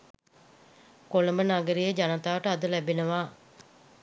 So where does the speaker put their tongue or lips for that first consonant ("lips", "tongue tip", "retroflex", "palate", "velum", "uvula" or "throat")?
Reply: velum